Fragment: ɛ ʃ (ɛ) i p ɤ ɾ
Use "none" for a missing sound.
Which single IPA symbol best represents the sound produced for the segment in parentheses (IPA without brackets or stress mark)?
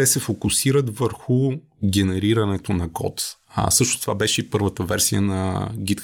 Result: ɛ